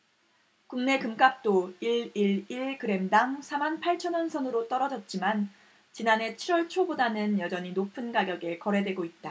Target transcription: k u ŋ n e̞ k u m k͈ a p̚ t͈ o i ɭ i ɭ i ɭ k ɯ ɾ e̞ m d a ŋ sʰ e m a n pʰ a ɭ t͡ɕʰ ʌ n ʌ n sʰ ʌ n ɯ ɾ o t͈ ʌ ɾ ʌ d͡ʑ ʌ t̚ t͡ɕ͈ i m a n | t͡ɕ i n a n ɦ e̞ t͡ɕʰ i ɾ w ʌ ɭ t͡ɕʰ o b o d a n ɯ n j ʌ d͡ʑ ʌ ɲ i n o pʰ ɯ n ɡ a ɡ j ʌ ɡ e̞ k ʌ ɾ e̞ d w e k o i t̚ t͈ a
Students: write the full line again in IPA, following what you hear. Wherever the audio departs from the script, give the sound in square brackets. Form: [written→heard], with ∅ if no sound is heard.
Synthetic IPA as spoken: k u ŋ n e̞ k [u→ɯ] m k͈ a p̚ t͈ o i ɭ i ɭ i ɭ k ɯ ɾ e̞ m d a ŋ sʰ [e→a] m a n pʰ a ɭ t͡ɕʰ ʌ n ʌ n sʰ ʌ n ɯ ɾ o t͈ ʌ ɾ ʌ d͡ʑ ʌ t̚ t͡ɕ͈ i m a n | t͡ɕ i n a n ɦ e̞ t͡ɕʰ i ɾ w ʌ ɭ t͡ɕʰ o b o d a n ɯ n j ʌ d͡ʑ ʌ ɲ i n o pʰ ɯ n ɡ a ɡ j ʌ ɡ e̞ k ʌ ɾ e̞ d w e [k→ɡ] o i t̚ t͈ a